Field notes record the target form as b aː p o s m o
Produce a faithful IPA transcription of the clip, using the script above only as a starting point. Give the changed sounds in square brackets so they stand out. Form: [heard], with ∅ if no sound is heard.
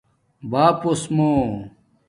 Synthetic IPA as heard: b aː p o s m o